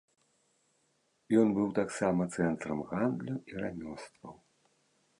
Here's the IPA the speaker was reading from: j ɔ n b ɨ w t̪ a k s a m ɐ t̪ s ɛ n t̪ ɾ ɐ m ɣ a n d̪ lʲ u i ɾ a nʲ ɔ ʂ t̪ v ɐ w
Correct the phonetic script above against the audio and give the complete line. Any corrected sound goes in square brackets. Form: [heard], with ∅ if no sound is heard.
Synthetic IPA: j ɔ n b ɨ w t̪ a k s a m ɐ t̪ s ɛ n t̪ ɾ ɐ m ɣ a n d̪ lʲ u i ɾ a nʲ ɔ [s] t̪ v ɐ w